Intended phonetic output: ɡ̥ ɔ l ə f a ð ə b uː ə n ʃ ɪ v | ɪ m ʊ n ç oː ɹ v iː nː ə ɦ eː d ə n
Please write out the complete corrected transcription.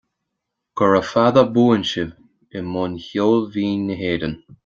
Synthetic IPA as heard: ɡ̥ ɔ ɹ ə f a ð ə b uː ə n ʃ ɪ v | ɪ m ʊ n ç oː l v iː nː ə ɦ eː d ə n

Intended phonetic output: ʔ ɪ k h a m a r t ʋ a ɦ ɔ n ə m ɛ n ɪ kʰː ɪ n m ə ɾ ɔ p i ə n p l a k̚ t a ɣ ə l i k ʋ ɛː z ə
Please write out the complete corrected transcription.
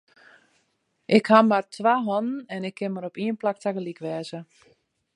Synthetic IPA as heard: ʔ ɪ k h a m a r t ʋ a ɦ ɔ n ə n ɛ n ɪ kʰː ɪ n m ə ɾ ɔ p i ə n p l a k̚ t a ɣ ə l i k ʋ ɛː z ə

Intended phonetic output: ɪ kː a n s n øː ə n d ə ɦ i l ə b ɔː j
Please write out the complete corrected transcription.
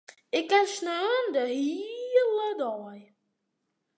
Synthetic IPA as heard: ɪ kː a n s n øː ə n d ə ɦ i l ə d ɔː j

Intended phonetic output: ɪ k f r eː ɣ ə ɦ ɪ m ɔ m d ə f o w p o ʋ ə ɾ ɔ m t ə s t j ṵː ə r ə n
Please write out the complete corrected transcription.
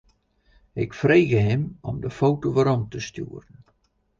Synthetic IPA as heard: ɪ k f r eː ɣ ə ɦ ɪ m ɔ m d ə f o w t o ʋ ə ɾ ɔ m t ə s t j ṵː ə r ə n

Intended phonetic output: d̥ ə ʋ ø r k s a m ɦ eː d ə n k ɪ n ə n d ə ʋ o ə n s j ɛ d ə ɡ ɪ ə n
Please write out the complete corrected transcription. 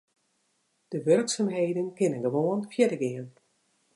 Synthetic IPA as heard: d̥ ə ʋ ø r k s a m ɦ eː d ə n k ɪ n ə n ɡ ə ʋ o ə n f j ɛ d ə ɡ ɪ ə n

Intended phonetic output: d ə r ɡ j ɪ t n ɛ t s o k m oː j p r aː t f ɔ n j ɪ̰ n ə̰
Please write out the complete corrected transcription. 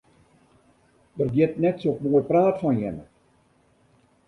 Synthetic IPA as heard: d ə r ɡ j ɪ t n ɛ t s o k m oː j p r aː t f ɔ n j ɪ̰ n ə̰

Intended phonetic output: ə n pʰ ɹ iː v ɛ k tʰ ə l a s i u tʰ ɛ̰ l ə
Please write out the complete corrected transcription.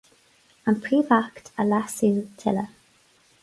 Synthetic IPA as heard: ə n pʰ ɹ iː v a k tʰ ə l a s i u tʰ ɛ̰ l ə

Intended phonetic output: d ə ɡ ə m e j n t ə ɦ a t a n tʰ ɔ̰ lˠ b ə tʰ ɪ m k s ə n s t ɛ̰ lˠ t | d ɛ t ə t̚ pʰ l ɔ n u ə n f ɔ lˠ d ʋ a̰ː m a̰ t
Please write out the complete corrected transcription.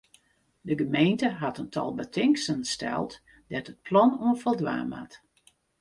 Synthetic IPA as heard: d ə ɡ ə m e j n t ə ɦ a t ə n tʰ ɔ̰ lˠ b ə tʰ ɪ ŋ k s ə n s t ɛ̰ lˠ t | d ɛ t ə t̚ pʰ l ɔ n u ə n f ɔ lˠ d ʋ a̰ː m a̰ t

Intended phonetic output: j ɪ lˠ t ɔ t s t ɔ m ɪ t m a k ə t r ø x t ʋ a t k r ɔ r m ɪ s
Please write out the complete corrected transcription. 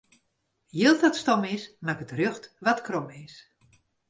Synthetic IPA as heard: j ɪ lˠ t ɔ t s t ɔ m ɪ s m a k ə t r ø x t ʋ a t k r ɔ m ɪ s

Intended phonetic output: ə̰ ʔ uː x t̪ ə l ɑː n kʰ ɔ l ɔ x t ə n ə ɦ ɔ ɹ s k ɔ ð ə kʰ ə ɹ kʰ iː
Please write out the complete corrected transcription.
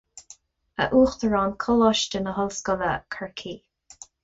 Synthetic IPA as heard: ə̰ ʔ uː x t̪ ə ɹ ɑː n kʰ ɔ l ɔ ʃ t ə n ə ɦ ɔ l s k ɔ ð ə kʰ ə ɹ kʰ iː

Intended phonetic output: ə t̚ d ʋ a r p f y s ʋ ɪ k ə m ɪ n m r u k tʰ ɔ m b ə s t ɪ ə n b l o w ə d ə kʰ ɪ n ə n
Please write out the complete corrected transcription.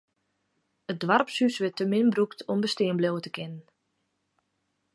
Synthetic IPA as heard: ə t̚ d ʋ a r p s y s ʋ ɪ t ə m ɪ n b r u k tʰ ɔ m b ə s t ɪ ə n b l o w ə t ə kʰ ɪ n ə n

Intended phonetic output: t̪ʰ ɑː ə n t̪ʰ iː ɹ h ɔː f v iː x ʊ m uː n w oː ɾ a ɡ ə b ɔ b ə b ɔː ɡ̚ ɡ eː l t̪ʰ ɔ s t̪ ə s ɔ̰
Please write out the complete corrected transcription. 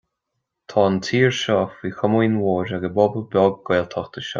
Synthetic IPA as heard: t̪ʰ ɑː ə n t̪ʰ iː ɹ ʃ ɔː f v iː x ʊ m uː n w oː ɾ a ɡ ə b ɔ b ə b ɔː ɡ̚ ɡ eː l t̪ʰ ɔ x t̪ ə ʃ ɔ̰

